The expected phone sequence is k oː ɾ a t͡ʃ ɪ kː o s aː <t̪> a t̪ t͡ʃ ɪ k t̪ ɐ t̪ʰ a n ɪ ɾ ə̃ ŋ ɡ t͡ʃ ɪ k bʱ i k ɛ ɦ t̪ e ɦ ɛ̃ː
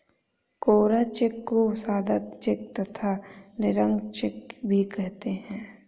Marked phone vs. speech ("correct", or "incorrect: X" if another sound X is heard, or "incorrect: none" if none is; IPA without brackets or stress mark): incorrect: d̪